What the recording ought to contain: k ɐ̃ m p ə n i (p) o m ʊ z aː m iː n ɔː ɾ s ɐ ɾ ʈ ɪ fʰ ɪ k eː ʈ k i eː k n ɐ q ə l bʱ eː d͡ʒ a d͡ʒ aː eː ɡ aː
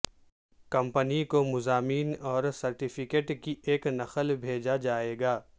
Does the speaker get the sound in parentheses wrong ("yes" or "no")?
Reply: yes